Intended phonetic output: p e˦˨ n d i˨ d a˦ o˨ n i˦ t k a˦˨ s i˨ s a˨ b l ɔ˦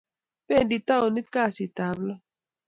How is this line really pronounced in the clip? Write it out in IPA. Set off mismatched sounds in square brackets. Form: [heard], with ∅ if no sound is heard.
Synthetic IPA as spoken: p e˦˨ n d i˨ [t] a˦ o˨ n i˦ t k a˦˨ s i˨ [t] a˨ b l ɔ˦